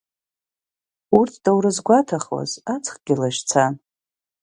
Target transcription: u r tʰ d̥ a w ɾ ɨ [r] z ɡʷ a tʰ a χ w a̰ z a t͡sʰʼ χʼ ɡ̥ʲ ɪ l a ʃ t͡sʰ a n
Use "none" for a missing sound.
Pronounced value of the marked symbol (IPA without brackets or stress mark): none